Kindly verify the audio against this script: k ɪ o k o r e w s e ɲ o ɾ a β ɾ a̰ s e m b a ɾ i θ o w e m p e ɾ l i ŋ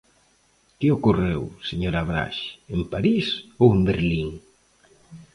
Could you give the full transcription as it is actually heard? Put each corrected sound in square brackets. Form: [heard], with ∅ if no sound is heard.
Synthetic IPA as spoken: k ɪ o k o r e w s e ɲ o ɾ a β ɾ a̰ [ʃ] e m [p] a ɾ i [s] o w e m [b] e ɾ l i ŋ